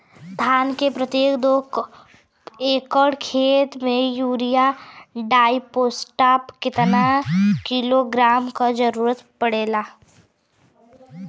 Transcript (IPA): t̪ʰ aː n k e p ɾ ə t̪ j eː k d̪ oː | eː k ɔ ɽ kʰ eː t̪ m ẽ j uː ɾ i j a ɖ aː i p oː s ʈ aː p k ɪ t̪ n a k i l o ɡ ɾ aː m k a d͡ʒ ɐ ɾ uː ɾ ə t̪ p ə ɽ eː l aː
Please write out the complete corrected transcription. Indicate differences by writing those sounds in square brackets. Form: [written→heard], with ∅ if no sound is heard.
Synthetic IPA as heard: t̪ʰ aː n k e p ɾ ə t̪ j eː k d̪ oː | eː k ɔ ɽ kʰ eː t̪ m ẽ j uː ɾ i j a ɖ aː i p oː s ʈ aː p k ɪ t̪ n a k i l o ɡ ɾ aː m k a d͡ʒ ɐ ɾ uː ɾ ə t̪ p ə ɽ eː l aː